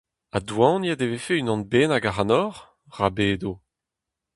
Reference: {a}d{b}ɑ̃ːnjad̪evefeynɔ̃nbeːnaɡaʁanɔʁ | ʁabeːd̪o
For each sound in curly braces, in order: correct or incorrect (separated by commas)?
correct, incorrect